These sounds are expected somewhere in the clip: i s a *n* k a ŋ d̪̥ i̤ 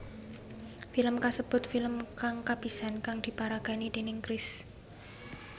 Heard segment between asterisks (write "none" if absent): n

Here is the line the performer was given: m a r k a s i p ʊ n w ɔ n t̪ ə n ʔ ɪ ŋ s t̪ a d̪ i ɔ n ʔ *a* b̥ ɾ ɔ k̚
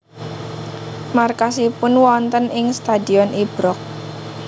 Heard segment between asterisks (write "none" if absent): i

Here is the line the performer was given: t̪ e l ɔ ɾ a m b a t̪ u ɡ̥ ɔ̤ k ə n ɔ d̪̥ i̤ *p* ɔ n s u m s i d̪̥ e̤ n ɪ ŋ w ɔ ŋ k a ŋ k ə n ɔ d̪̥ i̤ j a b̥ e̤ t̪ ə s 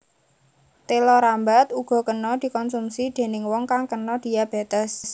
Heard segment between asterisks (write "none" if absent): k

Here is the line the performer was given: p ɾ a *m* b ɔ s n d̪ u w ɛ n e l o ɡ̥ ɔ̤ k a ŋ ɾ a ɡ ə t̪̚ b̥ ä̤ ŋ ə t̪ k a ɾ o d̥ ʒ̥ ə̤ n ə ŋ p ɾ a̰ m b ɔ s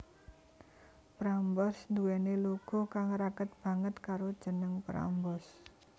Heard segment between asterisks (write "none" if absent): m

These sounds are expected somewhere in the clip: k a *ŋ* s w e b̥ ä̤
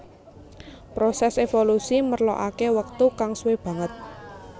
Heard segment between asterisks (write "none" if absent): ŋ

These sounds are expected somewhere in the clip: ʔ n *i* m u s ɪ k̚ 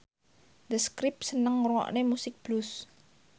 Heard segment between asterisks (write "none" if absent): e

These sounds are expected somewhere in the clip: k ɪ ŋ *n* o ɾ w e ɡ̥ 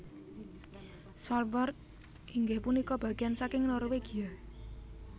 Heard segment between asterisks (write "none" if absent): n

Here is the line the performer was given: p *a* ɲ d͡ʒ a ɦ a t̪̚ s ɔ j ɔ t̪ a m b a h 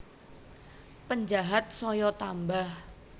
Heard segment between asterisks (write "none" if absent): ə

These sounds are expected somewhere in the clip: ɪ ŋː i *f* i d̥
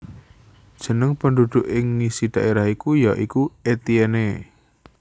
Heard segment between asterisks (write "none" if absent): s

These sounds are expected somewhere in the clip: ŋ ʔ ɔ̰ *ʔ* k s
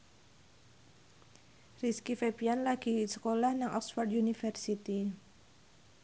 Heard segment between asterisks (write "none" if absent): none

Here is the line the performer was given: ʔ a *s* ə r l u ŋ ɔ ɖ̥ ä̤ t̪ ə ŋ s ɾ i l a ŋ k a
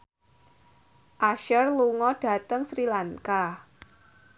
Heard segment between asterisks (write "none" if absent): ʃ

